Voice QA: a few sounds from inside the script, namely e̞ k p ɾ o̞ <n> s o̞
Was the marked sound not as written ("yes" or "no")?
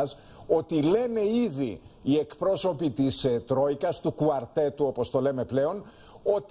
yes